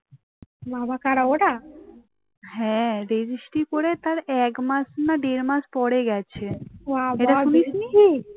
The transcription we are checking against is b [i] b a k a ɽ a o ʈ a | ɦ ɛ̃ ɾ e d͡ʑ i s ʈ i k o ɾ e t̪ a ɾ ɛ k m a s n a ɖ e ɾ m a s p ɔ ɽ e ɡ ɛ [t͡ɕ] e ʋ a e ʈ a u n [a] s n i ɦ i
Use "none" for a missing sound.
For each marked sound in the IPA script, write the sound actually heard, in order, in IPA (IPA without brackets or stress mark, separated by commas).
a, t͡ɕʰ, i